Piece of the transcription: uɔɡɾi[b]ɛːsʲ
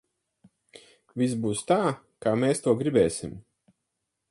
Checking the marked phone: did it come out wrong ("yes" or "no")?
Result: no